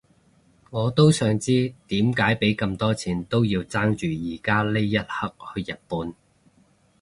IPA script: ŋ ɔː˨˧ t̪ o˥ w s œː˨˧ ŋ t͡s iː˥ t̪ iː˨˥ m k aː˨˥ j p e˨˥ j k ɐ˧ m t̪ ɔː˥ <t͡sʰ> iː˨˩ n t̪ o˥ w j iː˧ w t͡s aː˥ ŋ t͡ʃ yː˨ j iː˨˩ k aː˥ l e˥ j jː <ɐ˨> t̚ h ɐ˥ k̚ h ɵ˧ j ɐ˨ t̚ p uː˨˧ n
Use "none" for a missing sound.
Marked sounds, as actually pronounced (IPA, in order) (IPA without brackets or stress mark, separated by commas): t͡sʰ, ɐ˥